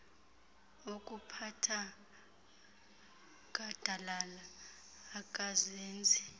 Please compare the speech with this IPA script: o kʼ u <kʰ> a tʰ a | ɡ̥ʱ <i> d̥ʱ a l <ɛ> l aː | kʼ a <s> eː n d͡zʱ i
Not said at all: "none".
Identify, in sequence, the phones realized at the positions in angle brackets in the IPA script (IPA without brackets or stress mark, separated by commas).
pʰ, a, a, z